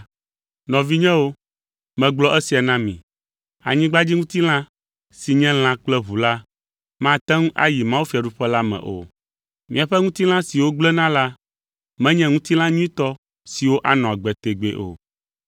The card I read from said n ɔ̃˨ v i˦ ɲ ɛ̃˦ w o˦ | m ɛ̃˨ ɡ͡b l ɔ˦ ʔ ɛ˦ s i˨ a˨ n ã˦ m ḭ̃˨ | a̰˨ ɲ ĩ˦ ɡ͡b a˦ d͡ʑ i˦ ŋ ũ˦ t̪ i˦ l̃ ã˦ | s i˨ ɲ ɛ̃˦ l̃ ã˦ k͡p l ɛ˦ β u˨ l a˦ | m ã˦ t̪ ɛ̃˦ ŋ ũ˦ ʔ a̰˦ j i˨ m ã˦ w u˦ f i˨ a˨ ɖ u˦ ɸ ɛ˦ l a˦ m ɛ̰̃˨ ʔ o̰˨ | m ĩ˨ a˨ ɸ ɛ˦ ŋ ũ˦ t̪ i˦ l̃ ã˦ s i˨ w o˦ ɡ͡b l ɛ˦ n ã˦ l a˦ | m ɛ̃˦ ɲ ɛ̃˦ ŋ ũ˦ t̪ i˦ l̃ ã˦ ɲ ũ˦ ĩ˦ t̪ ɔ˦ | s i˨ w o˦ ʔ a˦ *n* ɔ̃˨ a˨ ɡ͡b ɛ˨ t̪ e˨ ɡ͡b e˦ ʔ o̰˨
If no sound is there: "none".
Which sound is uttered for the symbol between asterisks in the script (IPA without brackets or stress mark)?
n